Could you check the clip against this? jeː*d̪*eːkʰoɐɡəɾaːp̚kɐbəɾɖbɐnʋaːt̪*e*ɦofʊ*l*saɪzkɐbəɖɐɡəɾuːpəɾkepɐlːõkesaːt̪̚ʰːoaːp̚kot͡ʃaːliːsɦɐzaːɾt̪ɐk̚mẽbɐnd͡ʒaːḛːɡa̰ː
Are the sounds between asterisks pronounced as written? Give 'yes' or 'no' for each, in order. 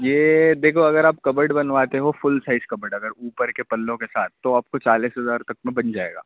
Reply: yes, yes, yes

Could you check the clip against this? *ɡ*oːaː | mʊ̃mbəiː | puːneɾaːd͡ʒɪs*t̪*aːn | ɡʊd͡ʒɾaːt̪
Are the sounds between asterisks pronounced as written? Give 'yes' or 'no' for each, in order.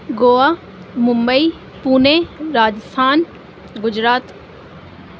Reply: yes, no

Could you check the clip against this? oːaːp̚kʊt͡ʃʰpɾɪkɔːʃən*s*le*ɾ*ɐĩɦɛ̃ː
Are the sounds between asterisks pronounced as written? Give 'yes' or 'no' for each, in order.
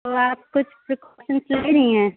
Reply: yes, yes

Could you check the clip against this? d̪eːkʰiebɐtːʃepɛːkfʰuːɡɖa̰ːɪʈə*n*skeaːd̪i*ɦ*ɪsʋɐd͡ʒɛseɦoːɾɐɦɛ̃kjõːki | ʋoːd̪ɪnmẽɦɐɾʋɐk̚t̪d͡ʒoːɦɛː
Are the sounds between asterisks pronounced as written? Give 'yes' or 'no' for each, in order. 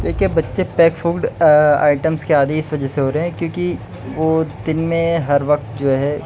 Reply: no, no

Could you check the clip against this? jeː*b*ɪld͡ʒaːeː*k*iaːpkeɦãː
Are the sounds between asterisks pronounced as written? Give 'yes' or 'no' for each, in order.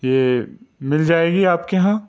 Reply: no, no

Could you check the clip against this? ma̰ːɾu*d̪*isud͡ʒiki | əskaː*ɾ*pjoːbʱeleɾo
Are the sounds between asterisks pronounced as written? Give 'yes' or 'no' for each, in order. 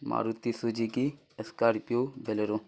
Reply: no, yes

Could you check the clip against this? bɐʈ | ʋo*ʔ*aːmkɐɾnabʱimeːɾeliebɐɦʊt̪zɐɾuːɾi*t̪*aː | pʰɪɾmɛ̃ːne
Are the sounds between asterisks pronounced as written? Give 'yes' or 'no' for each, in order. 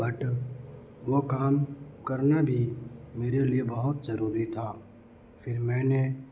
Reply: no, no

